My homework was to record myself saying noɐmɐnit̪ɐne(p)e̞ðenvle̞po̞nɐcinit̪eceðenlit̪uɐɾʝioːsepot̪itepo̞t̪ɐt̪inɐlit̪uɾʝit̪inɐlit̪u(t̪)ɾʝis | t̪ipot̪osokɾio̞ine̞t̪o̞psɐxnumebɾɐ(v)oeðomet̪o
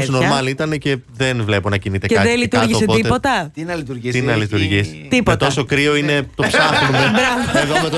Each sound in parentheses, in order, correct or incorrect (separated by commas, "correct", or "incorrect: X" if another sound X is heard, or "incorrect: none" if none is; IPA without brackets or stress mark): incorrect: c, incorrect: none, correct